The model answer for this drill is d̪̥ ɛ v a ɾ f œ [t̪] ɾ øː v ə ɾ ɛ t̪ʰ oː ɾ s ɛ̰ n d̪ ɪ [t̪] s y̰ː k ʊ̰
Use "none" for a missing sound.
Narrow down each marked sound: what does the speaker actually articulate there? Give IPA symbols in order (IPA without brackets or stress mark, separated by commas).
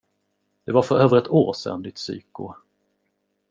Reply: none, t̪